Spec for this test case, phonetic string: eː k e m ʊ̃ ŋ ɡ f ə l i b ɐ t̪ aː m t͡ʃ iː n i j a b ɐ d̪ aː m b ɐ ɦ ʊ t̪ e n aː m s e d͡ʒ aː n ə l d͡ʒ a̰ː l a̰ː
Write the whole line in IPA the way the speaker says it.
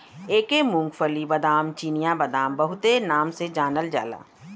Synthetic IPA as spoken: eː k e m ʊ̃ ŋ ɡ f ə l i b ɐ d̪ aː m t͡ʃ iː n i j a b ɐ d̪ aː m b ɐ ɦ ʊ t̪ e n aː m s e d͡ʒ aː n ə l d͡ʒ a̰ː l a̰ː